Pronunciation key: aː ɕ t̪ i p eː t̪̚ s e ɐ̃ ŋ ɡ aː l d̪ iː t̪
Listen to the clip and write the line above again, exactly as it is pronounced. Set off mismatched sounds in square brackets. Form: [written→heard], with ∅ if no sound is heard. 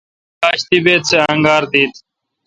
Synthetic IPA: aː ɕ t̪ i [p→b] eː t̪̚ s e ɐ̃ ŋ ɡ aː [l→ɾ] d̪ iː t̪

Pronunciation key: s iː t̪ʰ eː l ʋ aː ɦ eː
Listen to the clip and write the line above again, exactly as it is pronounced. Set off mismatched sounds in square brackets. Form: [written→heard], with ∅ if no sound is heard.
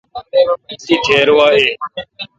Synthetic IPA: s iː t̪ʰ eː [l→ɾ] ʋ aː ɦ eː

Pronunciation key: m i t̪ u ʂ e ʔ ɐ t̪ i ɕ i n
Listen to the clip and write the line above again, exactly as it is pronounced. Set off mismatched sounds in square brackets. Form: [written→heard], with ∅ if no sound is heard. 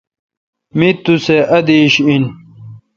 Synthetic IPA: m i t̪ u [ʂ→s] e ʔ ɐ [t̪→d̪] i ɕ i n

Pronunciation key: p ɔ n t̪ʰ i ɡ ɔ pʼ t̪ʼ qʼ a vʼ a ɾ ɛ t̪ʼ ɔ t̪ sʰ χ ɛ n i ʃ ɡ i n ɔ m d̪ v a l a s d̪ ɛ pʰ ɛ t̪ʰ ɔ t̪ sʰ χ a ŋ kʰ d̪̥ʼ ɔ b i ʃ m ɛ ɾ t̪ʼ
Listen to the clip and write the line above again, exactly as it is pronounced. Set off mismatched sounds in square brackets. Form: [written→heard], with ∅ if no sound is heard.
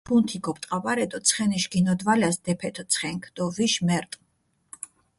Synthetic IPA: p [ɔ→u] n t̪ʰ i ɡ ɔ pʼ t̪ʼ qʼ a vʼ a ɾ ɛ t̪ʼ ɔ t̪ sʰ χ ɛ n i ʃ ɡ i n ɔ [m→∅] d̪ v a l a s d̪ ɛ pʰ ɛ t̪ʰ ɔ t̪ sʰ χ [a→ɛ] ŋ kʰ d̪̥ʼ ɔ [b→v] i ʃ m ɛ ɾ t̪ʼ

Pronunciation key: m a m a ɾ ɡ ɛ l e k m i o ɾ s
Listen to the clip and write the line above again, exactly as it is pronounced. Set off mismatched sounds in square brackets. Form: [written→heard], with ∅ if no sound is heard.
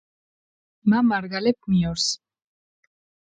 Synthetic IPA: m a m a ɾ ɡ [ɛ→a] l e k m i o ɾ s

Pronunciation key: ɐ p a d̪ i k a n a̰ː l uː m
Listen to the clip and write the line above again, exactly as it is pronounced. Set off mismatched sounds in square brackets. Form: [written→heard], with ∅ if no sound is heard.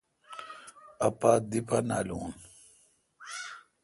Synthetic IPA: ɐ p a d̪ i [k→p] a n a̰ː l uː [m→n]

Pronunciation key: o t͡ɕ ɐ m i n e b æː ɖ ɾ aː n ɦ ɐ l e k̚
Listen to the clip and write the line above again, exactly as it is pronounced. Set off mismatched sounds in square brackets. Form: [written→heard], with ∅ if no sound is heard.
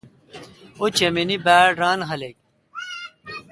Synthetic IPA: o t͡ɕ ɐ m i n [e→i] b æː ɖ ɾ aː n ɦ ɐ l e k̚

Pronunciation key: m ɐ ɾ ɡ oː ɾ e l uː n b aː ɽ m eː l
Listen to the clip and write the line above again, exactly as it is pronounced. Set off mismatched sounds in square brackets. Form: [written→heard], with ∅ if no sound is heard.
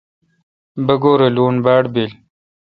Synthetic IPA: [m→b] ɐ [ɾ→∅] ɡ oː ɾ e l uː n b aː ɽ [m→b] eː l

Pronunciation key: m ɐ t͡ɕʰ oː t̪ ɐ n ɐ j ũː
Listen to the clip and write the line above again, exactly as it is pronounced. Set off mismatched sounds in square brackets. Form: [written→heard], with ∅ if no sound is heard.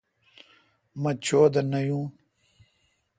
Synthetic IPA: m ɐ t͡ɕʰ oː [t̪→d̪] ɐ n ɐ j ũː

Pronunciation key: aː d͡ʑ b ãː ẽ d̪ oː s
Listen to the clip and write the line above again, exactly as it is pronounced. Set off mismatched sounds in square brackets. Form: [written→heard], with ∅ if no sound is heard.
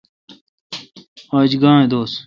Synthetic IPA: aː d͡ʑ [b→ɡ] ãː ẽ d̪ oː s

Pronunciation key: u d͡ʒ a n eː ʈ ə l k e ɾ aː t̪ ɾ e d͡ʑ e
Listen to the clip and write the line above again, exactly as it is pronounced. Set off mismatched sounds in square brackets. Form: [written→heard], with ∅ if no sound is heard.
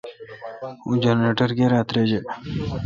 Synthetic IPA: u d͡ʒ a n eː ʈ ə [l→ɾ] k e ɾ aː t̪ ɾ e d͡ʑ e

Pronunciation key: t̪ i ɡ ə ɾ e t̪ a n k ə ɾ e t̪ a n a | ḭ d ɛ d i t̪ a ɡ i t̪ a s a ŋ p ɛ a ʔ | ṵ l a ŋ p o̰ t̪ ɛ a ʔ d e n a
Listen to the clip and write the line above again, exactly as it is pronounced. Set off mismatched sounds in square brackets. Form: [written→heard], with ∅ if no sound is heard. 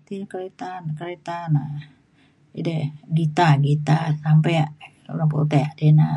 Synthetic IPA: t̪ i [ɡ→k] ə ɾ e t̪ a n k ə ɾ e t̪ a n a | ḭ d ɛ [d→ɡ] i t̪ a ɡ i t̪ a s a [ŋ→m] p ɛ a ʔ | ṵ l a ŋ p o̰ t̪ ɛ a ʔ d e n a

